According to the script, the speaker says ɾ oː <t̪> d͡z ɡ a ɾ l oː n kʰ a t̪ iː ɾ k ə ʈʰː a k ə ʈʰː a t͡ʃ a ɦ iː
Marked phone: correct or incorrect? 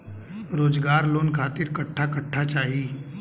incorrect: none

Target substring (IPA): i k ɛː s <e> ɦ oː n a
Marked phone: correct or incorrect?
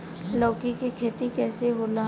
correct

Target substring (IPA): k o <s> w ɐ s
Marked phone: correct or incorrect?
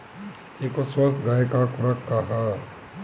correct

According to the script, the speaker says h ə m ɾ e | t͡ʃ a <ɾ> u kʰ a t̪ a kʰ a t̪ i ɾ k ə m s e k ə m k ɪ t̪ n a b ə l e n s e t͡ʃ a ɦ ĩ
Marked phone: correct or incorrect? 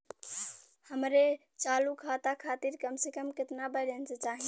incorrect: l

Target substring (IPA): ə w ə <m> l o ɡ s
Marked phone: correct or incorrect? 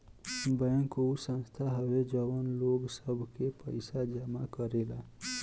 incorrect: n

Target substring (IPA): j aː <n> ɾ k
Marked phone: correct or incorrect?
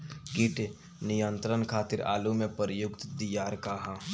incorrect: none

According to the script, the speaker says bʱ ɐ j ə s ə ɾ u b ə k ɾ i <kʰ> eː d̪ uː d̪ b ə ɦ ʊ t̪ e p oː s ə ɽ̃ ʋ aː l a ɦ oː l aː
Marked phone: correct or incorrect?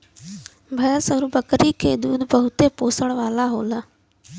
correct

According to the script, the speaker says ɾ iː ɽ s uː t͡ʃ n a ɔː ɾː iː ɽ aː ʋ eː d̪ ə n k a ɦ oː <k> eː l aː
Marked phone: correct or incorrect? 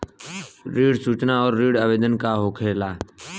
incorrect: kʰ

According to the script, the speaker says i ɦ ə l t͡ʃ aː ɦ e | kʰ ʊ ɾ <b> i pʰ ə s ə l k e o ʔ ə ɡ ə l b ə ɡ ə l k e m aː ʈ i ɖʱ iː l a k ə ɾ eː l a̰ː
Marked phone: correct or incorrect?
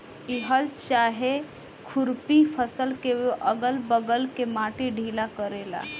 incorrect: p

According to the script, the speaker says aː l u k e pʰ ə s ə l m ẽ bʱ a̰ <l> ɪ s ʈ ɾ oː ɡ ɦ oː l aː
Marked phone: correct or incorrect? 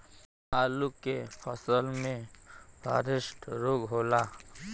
incorrect: ɾ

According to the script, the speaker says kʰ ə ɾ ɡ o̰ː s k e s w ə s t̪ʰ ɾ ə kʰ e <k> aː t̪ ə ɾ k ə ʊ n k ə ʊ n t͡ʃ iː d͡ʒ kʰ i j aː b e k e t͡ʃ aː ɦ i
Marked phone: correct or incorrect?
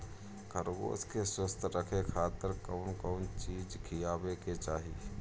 incorrect: kʰ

